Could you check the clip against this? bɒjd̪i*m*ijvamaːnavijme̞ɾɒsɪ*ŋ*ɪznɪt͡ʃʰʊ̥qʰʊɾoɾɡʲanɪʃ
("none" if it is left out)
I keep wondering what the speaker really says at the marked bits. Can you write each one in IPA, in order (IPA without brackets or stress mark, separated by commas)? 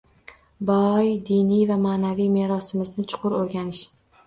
n, m